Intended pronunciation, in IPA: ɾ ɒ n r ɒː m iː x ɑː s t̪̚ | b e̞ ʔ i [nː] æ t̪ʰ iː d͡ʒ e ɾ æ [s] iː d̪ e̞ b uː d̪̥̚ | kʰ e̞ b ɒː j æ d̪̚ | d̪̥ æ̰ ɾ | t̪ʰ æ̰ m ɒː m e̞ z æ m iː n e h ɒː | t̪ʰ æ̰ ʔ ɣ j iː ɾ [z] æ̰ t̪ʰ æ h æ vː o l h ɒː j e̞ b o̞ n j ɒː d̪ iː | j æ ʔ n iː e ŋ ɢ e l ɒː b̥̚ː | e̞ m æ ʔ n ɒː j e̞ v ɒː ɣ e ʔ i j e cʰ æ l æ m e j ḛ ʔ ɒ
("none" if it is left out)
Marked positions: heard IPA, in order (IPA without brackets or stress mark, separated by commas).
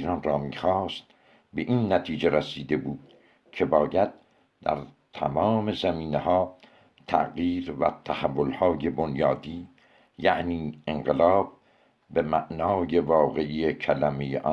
nː, s, v